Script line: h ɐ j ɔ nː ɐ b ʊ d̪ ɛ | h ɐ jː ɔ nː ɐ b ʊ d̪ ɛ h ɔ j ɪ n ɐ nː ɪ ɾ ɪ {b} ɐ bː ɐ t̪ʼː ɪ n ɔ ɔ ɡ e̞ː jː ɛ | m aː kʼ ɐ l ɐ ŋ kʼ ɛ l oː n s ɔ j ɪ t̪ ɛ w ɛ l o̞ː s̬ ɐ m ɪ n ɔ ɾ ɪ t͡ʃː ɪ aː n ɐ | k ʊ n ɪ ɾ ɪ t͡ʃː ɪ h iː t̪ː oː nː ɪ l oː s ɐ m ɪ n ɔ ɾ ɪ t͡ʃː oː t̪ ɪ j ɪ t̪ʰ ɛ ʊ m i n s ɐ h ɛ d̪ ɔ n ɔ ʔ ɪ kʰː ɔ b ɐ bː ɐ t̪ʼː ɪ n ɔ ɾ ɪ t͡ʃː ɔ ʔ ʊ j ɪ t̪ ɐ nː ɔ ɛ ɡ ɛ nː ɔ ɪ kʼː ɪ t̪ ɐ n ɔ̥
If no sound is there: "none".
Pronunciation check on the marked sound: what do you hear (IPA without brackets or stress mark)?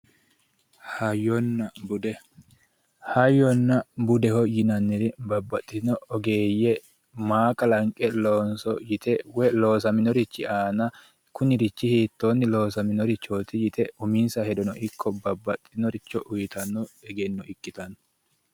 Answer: b